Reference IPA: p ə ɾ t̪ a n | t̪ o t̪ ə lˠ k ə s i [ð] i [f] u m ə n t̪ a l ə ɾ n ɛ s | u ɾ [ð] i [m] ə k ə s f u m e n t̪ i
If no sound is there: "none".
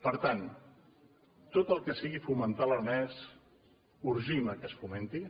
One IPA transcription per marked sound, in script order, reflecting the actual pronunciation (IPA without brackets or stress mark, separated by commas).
ɣ, f, ʒ, m